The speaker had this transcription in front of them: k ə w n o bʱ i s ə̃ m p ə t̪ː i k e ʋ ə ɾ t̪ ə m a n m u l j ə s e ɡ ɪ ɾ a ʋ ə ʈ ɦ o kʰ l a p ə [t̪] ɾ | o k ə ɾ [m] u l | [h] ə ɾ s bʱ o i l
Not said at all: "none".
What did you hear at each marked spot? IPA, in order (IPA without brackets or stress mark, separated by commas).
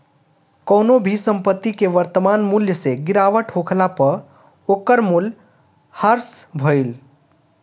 none, m, h